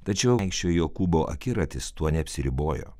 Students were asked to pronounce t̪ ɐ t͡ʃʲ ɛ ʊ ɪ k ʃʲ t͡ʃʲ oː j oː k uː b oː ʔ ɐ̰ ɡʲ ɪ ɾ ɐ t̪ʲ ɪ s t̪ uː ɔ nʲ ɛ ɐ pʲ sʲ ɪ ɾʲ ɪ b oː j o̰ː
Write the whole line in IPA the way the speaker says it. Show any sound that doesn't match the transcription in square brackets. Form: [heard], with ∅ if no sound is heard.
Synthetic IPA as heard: t̪ ɐ t͡ʃʲ ɛ ʊ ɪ k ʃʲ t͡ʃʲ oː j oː k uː b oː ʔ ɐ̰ [kʲ] ɪ ɾ ɐ t̪ʲ ɪ s t̪ [u] ɔ nʲ ɛ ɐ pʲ sʲ ɪ ɾʲ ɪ b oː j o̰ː